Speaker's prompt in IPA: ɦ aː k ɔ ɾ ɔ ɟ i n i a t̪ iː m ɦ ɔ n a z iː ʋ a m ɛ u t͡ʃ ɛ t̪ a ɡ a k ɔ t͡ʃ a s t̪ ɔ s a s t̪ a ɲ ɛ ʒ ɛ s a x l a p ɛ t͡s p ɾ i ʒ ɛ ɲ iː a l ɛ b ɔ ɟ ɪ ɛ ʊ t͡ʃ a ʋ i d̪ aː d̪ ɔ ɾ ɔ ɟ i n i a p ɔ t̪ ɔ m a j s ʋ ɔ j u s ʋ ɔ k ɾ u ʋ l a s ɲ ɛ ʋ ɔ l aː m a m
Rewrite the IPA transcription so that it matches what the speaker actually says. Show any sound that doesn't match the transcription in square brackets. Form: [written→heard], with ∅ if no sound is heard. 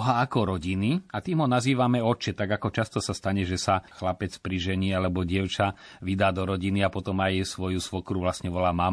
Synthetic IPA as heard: ɦ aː k ɔ ɾ ɔ ɟ i n i a t̪ iː m ɦ ɔ n a z iː ʋ a m ɛ [u→ɔ] t͡ʃ ɛ t̪ a ɡ a k ɔ t͡ʃ a s t̪ ɔ s a s t̪ a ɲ ɛ ʒ ɛ s a x l a p ɛ t͡s p ɾ i ʒ ɛ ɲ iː a l ɛ b ɔ ɟ ɪ ɛ ʊ t͡ʃ a ʋ i d̪ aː d̪ ɔ ɾ ɔ ɟ i n i a p ɔ t̪ ɔ m a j s ʋ ɔ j u s ʋ ɔ k ɾ u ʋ l a s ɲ ɛ ʋ ɔ l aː m a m